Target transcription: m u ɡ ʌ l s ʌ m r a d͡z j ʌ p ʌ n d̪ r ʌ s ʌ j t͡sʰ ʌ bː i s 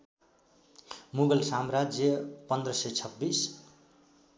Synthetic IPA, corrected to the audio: m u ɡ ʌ l s a m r a d͡z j ʌ p ʌ n d̪ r ʌ s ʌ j t͡sʰ ʌ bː i s